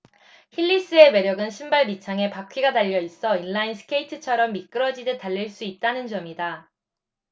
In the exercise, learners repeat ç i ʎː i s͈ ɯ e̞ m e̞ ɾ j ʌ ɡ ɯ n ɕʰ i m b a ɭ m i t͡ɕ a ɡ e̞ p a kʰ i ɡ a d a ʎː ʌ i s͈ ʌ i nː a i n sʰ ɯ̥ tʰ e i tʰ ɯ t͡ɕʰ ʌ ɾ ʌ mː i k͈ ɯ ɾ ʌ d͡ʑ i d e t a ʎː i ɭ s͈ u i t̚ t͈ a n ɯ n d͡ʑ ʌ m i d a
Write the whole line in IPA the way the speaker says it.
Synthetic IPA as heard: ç i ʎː i s͈ ɯ e̞ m e̞ ɾ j ʌ ɡ ɯ n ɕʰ i m b a ɭ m i t͡ɕʰ a ŋ e̞ p a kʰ i ɡ a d a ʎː ʌ i s͈ ʌ i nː a i n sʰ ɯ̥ kʰ e i tʰ ɯ t͡ɕʰ ʌ ɾ ʌ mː i k͈ ɯ ɾ ʌ d͡ʑ i d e t a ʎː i ɭ s͈ u i t̚ t͈ a n ɯ n d͡ʑ ʌ m i d a